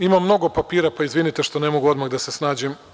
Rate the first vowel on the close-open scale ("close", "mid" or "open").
close